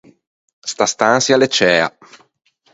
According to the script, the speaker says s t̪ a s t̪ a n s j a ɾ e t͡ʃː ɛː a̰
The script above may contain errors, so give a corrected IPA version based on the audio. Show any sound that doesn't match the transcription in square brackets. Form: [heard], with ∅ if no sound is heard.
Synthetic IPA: s t̪ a s t̪ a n s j a [l] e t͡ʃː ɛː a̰